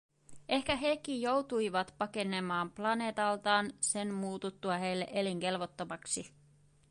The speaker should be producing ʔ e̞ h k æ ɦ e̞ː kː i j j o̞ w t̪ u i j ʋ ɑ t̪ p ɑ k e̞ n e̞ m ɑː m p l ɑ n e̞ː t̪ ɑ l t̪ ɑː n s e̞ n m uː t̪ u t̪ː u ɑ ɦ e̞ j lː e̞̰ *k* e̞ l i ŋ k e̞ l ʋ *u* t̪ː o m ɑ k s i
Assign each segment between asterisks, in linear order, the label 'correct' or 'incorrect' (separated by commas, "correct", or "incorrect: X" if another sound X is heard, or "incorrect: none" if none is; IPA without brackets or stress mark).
incorrect: ʔ, incorrect: o